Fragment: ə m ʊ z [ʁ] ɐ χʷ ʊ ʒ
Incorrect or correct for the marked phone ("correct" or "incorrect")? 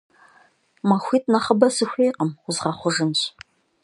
correct